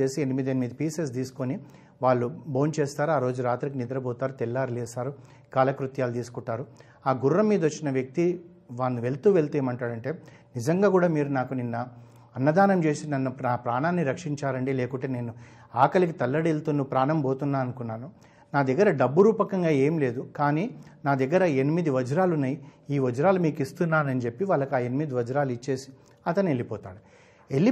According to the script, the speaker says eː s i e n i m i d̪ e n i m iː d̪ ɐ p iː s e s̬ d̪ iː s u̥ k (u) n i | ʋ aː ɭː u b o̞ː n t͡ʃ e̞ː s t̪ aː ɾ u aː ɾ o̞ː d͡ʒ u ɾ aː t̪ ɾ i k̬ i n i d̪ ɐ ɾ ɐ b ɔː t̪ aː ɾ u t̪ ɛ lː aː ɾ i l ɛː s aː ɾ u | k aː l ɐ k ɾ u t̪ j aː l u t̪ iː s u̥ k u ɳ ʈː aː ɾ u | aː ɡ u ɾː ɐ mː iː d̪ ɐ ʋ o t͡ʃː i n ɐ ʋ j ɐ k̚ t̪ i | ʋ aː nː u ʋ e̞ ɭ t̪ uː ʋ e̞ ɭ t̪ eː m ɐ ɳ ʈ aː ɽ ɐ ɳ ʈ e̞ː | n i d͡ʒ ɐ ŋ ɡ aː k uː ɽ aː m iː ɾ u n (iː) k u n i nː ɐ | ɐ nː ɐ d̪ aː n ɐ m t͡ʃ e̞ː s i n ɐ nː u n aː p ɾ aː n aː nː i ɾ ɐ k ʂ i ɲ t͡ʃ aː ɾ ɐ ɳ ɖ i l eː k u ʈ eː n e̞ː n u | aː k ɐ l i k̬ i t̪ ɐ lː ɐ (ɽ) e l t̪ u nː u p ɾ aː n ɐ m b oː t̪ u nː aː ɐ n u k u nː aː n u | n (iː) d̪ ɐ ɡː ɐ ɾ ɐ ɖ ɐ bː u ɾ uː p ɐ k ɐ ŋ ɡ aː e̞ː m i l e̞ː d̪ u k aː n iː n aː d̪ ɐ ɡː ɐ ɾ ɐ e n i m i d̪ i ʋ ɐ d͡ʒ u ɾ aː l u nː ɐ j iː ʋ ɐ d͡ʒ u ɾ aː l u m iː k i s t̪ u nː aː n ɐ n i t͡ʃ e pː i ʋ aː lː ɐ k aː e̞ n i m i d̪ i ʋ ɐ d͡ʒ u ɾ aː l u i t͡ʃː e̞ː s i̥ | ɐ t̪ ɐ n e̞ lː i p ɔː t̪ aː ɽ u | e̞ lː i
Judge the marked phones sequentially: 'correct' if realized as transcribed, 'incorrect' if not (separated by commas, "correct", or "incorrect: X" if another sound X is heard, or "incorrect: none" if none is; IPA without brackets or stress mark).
incorrect: o, incorrect: aː, correct, incorrect: aː